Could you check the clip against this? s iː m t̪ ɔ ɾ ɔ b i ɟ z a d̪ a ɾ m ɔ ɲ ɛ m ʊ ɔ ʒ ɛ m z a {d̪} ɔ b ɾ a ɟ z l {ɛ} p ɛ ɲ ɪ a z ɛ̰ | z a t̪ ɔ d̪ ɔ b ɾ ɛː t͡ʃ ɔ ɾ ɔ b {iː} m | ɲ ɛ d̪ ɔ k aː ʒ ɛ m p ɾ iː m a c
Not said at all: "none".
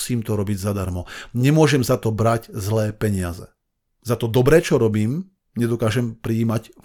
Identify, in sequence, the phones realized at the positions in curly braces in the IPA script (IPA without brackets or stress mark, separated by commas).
t̪, ɛː, iː